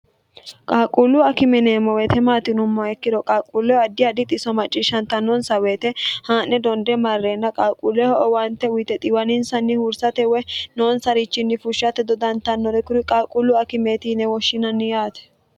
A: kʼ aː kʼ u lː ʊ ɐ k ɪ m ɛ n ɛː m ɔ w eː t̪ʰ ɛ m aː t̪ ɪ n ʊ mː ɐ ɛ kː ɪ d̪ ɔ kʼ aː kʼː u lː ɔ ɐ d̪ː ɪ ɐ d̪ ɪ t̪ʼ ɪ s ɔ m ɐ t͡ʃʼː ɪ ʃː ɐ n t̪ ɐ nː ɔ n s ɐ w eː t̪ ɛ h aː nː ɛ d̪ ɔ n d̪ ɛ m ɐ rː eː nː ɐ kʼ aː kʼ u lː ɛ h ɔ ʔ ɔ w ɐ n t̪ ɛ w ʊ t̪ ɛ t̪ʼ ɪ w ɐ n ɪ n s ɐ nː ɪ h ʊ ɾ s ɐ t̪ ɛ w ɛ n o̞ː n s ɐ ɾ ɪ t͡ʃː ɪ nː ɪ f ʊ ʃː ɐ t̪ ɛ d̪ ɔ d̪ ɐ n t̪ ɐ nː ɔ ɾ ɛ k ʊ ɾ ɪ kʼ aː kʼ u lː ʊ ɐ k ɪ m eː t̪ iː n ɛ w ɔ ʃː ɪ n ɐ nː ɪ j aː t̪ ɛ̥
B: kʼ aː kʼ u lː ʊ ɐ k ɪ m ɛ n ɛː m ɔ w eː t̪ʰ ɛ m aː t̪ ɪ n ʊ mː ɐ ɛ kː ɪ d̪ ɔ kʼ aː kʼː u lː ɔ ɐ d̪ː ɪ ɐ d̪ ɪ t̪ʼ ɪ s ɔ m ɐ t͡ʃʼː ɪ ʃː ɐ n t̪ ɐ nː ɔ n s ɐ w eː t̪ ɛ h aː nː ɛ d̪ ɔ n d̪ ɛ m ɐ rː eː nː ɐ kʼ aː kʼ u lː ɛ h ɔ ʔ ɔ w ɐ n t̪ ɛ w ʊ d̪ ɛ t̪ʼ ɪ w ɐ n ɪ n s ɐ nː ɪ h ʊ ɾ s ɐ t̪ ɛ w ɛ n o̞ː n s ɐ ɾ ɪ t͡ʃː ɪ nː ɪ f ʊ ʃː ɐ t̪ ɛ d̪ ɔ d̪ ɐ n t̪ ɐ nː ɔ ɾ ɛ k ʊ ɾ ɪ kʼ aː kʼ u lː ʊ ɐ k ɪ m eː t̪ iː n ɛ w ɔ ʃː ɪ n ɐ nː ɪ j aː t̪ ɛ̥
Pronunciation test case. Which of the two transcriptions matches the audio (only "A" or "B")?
A